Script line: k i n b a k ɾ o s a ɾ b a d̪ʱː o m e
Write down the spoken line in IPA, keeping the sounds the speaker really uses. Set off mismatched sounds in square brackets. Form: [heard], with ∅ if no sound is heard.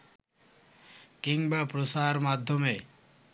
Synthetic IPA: k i [ŋ] b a [p] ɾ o s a ɾ [m] a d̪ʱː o m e